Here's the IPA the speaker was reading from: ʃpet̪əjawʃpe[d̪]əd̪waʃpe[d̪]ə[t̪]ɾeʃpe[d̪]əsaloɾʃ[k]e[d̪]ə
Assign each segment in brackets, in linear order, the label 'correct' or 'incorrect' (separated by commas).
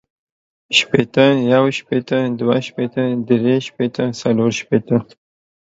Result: incorrect, incorrect, incorrect, incorrect, incorrect, incorrect